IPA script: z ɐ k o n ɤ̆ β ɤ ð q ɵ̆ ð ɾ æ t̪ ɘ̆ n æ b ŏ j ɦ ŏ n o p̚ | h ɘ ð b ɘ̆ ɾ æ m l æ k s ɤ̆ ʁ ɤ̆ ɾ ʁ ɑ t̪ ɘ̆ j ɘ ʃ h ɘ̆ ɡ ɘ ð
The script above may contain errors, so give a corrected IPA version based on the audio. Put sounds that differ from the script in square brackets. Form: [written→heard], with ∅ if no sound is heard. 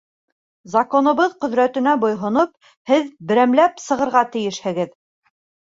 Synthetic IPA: z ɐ k o n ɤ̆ β ɤ ð q ɵ̆ ð ɾ æ t̪ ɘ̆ n æ b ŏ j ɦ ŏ n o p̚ | h ɘ ð b ɘ̆ ɾ æ m l æ [k→p] s ɤ̆ ʁ ɤ̆ ɾ ʁ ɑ t̪ ɘ̆ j ɘ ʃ h ɘ̆ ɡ ɘ ð